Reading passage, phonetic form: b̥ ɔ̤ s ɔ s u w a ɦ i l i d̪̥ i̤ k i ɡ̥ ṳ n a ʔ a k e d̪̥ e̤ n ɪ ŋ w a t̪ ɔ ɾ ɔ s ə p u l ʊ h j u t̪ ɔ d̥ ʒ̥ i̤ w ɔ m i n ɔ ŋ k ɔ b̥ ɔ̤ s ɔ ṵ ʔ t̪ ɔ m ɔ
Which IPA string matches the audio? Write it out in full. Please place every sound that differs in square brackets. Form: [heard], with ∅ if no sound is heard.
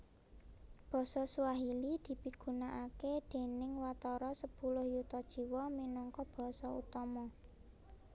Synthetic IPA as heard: b̥ ɔ̤ s ɔ s u w a ɦ i l i d̪̥ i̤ [p] i ɡ̥ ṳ n a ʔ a k e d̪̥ e̤ n ɪ ŋ w a t̪ ɔ ɾ ɔ s ə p u l ʊ h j u t̪ ɔ d̥ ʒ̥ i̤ w ɔ m i n ɔ ŋ k ɔ b̥ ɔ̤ s ɔ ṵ [∅] t̪ ɔ m ɔ